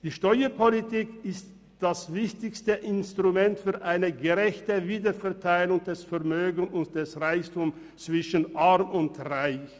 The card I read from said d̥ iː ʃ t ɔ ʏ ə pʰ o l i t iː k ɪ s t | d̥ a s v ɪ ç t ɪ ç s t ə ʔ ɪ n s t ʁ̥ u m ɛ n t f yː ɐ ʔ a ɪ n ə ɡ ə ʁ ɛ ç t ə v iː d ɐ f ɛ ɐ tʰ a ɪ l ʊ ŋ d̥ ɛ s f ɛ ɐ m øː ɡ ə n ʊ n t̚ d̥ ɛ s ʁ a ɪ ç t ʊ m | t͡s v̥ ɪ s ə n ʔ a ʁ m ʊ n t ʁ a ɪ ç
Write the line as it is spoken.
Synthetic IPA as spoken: d̥ iː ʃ t ɔ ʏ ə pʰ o l i t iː k ɪ s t | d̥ a s v ɪ ç t ɪ ç s t ə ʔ ɪ n s t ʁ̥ u m ɛ n t f yː ɐ ʔ a ɪ n ə ɡ ə ʁ ɛ ç t ə v iː d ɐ f ɛ ɐ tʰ a ɪ l ʊ ŋ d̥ ɛ s f ɛ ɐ m øː ɡ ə n ʊ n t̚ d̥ ɛ s ʁ a ɪ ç t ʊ m | t͡s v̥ ɪ ʃ ə n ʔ a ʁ m ʊ n t ʁ a ɪ ç